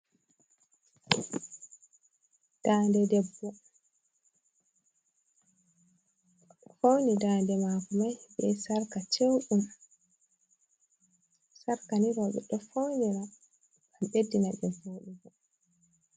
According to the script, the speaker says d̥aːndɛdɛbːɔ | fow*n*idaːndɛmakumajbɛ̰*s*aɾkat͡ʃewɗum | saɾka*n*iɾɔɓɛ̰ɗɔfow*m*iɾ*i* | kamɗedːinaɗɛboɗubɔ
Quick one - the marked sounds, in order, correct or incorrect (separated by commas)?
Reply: correct, correct, correct, incorrect, incorrect